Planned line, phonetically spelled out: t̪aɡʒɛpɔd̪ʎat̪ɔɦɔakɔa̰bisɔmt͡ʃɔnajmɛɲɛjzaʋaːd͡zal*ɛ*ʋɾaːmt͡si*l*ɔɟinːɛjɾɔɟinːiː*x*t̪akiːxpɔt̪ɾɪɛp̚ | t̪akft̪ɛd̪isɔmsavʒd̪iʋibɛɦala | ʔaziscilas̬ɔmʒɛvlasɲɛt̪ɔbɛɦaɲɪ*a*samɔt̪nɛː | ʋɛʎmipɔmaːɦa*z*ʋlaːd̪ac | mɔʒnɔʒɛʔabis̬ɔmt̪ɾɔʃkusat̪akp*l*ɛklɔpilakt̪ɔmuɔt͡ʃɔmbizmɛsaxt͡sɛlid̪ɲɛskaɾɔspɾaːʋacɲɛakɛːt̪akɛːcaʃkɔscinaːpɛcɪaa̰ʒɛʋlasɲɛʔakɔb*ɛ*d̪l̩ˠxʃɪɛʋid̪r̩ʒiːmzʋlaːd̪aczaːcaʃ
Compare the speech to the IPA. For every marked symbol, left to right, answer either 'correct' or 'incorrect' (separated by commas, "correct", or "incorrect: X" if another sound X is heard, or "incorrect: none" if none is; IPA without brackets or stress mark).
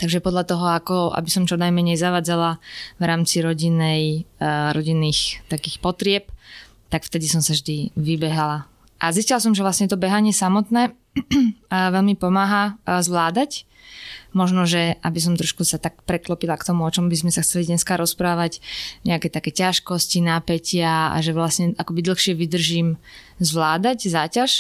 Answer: incorrect: a, incorrect: ɾ, correct, incorrect: ɛ, correct, incorrect: ɾ, incorrect: i